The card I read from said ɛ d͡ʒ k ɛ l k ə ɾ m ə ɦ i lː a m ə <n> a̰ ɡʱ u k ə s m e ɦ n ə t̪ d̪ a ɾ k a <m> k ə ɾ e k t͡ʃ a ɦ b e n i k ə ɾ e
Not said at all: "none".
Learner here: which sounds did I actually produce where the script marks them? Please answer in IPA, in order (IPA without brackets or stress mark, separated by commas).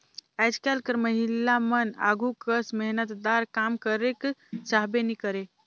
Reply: n, m